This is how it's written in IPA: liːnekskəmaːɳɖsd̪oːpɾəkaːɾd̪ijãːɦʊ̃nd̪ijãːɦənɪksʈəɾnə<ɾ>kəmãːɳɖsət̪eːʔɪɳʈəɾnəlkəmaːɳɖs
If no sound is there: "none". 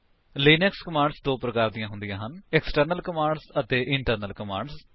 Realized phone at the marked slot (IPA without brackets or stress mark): l